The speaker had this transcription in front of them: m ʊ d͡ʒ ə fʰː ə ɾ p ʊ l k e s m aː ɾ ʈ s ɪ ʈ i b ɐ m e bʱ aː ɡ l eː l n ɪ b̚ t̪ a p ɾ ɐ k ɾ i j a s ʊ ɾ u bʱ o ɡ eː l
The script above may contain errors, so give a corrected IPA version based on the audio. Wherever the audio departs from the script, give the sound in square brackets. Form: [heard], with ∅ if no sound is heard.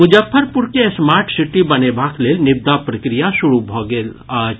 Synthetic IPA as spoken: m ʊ d͡ʒ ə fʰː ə ɾ p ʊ [ɾ] k e s m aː ɾ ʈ s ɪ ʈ i b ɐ [n] e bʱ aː [k] l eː l n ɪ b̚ [d̪] a p ɾ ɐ k ɾ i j a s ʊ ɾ u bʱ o ɡ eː l